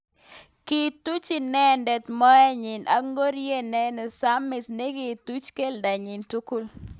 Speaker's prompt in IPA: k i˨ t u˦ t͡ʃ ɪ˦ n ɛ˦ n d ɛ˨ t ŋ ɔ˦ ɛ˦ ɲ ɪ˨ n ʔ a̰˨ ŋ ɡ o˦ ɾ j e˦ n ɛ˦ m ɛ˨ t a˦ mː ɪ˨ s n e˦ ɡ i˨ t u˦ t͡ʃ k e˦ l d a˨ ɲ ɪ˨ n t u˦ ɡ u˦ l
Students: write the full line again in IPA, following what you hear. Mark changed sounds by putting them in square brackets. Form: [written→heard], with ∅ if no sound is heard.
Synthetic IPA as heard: k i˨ t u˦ t͡ʃ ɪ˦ n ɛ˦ n d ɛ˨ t [ŋ→m] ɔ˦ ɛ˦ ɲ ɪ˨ n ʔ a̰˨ ŋ ɡ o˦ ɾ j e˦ n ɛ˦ [m→n] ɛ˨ [t→s] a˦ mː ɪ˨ s n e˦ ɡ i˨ t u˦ t͡ʃ k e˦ l d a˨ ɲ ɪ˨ n t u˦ [ɡ→k] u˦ l

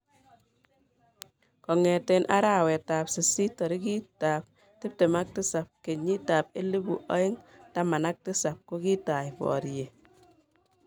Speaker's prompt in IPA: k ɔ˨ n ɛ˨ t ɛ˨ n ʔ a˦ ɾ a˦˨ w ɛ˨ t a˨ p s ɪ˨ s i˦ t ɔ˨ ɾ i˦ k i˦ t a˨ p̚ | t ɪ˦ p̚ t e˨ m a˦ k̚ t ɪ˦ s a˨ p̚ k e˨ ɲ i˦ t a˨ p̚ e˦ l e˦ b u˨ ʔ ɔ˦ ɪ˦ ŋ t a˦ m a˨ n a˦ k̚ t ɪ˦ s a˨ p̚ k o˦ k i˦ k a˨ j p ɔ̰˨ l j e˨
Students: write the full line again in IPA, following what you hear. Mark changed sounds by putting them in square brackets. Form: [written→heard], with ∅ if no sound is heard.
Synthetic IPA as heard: k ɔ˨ [n→ŋ] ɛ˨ t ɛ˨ n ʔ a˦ ɾ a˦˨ w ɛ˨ t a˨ p s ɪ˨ s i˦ t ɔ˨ ɾ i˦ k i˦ t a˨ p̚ | t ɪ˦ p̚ t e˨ m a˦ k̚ t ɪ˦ s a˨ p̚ k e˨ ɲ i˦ t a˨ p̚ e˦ l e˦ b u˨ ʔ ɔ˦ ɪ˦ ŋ t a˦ m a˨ n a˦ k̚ t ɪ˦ s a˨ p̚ k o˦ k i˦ [k→t] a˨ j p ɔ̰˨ [l→ɾ] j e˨

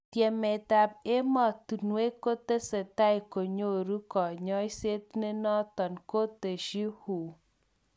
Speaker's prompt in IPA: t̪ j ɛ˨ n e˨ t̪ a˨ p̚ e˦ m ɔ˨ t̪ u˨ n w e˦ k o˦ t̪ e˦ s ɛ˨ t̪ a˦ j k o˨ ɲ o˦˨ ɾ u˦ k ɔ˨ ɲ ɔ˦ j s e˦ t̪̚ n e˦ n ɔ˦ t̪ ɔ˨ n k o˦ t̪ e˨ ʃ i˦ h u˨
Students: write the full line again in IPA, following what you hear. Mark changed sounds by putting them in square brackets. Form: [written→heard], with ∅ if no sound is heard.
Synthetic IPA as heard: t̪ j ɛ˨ [n→m] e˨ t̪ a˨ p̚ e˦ m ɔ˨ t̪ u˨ n w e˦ k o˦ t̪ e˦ s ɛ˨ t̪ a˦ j k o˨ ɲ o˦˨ ɾ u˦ k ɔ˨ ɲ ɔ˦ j s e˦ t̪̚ n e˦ n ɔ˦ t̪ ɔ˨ n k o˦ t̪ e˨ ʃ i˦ h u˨

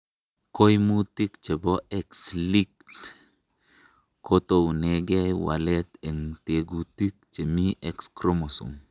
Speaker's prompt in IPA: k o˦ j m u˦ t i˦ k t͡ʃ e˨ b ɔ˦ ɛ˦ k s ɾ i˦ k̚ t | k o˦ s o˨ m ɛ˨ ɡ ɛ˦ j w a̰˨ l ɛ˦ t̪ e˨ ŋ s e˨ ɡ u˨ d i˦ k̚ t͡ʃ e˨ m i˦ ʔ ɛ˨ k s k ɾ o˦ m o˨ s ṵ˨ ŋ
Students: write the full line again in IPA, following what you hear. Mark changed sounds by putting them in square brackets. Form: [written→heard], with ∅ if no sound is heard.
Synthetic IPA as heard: k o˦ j m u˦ t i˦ k t͡ʃ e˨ b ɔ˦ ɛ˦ k s [ɾ→l] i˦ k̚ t | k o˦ [s→t] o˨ [m→n] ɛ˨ ɡ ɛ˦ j w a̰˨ l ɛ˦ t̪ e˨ ŋ [s→t] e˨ ɡ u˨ [d→t] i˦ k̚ t͡ʃ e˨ m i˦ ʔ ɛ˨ k s k ɾ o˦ m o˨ s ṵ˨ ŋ

